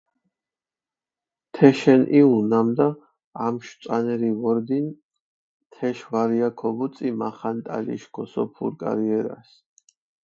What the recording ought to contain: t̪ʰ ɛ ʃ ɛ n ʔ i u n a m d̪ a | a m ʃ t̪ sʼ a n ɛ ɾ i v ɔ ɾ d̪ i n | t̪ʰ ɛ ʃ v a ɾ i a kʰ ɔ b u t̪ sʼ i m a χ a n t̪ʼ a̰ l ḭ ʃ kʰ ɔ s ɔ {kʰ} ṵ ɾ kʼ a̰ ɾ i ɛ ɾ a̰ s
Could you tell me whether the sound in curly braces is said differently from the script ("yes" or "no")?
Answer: yes